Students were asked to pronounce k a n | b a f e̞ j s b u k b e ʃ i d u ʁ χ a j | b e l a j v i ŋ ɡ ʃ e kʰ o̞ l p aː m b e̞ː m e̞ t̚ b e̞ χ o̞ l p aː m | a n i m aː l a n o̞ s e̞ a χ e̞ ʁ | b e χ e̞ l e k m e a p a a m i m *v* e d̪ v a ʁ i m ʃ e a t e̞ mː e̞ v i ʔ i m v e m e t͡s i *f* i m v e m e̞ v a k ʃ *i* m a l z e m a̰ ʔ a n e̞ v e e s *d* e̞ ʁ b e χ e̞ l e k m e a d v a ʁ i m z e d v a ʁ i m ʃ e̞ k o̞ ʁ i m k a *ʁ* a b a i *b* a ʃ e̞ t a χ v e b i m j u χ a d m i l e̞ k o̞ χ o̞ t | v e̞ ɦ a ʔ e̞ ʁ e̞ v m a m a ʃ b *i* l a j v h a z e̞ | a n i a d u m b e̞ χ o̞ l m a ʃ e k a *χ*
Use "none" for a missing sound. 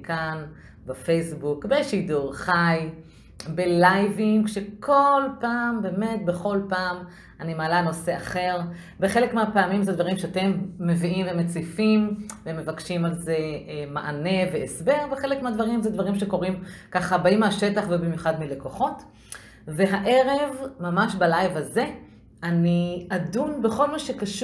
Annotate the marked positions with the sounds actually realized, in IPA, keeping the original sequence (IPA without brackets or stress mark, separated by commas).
z, f, i, b, χ, m, a, ʃ